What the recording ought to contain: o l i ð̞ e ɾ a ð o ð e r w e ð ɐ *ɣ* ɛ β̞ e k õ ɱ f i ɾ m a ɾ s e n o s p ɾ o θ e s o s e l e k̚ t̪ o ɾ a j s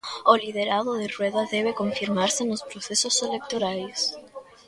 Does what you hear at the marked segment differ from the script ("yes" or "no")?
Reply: yes